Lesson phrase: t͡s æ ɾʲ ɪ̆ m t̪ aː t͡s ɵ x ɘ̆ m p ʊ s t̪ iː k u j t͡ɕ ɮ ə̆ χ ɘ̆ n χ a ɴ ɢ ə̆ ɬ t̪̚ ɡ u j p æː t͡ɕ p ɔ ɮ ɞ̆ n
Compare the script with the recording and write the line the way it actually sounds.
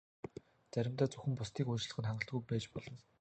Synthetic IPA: t͡s æ ɾʲ ɪ̆ m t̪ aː t͡s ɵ x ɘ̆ m p ʊ s t̪ iː k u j t͡ɕ ɮ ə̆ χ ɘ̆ n χ a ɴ ɢ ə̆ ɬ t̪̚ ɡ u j p æː t͡ɕ p ɔ ɮ ɞ̆ n

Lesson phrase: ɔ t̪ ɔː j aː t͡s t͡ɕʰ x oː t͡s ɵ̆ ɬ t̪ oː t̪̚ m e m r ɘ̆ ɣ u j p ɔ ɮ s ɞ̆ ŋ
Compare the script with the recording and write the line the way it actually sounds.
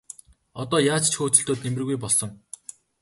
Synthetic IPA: ɔ t̪ ɔː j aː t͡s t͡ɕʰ x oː t͡s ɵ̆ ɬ t̪ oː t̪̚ n e m r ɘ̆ ɣ u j p ɔ ɮ s ɞ̆ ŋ

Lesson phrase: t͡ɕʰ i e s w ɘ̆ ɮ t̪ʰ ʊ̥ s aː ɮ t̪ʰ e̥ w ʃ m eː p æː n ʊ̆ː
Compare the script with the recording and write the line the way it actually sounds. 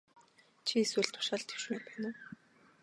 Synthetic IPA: t͡ɕʰ i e s w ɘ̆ ɮ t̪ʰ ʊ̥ ʃ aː ɮ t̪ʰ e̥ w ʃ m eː p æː n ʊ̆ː

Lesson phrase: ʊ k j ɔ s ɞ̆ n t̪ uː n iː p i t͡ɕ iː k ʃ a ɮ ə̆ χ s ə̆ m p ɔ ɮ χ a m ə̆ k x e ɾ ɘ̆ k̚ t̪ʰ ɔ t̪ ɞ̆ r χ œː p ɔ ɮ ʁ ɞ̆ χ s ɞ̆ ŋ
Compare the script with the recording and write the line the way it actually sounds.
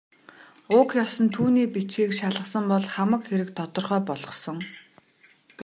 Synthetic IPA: ʊ k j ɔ s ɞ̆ n t̪ʰ uː n iː p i t͡ɕ iː k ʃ a ɮ ə̆ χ s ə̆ m p ɔ ɮ χ a m ə̆ k x e ɾ ɘ̆ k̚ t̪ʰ ɔ t̪ ɞ̆ r χ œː p ɔ ɮ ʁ ɞ̆ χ s ɞ̆ ŋ

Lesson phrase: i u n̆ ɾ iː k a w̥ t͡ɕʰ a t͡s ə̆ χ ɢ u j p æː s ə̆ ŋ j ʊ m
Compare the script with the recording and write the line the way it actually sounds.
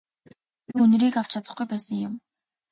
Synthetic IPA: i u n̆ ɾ iː k a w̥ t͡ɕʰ a t͡s ə̆ χ ɡ u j p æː s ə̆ ŋ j ʊ m

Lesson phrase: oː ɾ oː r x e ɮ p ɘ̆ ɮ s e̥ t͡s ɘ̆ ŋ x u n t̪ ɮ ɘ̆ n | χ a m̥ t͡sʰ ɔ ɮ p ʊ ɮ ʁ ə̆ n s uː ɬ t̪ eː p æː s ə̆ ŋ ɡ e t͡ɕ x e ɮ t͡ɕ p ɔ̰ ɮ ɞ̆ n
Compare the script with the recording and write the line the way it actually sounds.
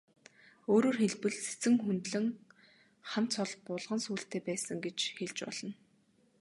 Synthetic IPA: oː ɾ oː r x e ɮ p ɘ̆ ɮ s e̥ t͡s ɘ̆ ŋ x u n t̪ ɮ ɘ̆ ŋ | χ a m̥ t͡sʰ ɔ ɮ p ʊ ɮ ʁ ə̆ n s uː ɬ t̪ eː p æː s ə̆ ŋ ɡ e t͡ɕ x e ɮ t͡ɕ p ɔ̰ ɮ ɞ̆ n

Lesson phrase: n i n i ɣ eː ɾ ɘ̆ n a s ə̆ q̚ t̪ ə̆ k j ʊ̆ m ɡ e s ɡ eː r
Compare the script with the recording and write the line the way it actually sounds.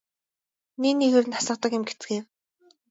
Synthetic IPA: n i n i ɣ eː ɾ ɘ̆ n a s ə̆ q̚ t̪ ə̆ k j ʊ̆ m ɡ e t͡s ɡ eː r

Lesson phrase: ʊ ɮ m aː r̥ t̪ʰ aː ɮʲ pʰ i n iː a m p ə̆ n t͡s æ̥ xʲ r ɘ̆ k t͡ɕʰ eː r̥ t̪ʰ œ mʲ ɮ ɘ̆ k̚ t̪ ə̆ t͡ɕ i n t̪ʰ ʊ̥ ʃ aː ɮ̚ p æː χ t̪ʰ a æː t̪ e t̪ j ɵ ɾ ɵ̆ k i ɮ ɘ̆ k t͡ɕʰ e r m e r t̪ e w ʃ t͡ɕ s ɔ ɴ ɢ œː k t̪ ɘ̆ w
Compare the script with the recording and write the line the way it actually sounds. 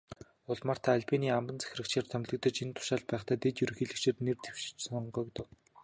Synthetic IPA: ʊ ɮ m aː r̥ t̪ʰ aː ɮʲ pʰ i n iː a m p ə̆ n t͡s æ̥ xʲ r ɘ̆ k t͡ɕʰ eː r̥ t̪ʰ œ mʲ ɮ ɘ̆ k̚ t̪ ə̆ t͡ɕ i n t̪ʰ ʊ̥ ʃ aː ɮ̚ p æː χ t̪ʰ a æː t̪ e t̪ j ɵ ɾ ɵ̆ x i ɮ ɘ̆ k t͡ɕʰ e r n e r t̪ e w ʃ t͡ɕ s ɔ ɴ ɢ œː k t̪ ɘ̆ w

